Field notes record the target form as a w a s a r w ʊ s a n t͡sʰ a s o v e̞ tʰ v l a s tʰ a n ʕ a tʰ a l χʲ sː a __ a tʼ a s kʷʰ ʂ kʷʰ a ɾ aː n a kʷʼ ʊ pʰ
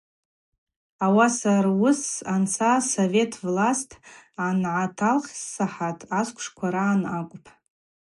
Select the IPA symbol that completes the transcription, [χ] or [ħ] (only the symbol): ħ